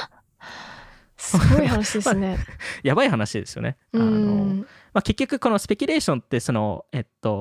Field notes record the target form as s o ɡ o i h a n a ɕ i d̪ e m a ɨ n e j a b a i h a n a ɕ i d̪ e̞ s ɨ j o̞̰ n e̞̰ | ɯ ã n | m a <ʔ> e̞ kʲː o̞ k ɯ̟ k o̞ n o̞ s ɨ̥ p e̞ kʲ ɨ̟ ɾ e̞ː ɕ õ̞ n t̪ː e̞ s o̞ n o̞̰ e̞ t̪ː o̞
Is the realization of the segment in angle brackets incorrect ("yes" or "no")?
yes